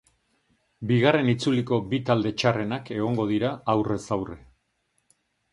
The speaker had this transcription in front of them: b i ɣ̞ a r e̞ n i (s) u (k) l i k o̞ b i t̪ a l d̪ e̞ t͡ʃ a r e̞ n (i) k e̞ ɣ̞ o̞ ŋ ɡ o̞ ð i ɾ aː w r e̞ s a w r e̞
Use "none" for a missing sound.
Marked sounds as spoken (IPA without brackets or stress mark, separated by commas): t͡s, none, a